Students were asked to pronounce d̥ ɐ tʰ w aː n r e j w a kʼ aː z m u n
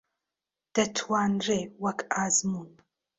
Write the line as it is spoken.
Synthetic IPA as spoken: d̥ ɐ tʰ w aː n r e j w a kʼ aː z m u n